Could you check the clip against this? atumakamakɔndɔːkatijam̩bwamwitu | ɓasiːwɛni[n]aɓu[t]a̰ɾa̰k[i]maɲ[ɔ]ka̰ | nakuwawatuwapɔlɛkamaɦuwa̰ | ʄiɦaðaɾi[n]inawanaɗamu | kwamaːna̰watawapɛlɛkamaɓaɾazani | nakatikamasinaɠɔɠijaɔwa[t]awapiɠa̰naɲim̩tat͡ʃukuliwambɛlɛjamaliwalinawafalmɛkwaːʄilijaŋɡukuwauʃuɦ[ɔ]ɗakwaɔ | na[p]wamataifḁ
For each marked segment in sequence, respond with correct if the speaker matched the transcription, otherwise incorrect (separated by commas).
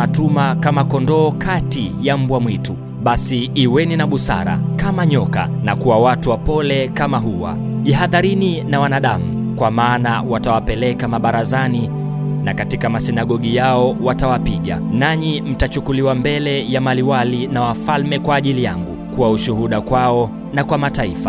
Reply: correct, incorrect, incorrect, correct, correct, correct, incorrect, incorrect